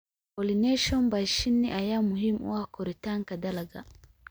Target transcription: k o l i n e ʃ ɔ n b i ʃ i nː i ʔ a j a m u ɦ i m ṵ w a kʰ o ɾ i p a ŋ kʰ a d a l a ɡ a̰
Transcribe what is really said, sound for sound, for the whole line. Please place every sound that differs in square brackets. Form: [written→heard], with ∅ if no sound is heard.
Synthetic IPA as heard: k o l i n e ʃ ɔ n b [i→a] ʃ i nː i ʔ a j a m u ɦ i m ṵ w a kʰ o ɾ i [p→t] a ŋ [kʰ→k] a d a l a ɡ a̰